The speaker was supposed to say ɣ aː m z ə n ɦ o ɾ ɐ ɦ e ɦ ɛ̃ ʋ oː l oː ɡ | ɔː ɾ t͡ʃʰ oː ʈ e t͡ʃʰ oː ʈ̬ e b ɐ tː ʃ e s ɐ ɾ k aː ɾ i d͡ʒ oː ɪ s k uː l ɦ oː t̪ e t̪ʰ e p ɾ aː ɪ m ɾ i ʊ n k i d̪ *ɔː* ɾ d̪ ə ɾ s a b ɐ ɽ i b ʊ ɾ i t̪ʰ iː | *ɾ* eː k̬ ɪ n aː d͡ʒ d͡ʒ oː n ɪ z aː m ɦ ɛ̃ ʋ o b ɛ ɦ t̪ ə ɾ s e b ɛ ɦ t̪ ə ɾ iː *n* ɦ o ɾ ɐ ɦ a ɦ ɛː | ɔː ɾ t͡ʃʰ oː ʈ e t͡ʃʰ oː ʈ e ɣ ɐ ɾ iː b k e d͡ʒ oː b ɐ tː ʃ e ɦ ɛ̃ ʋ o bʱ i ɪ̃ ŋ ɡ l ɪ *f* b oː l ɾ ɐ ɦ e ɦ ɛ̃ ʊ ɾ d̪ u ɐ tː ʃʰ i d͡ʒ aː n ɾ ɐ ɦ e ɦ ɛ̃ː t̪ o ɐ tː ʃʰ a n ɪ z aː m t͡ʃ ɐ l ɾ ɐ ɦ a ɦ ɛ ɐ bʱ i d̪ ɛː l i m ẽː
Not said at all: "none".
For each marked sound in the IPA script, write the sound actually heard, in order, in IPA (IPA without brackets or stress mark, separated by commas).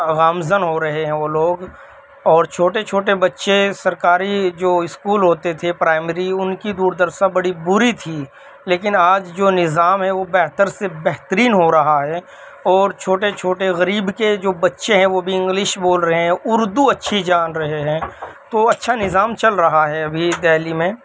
uː, l, n, ʃ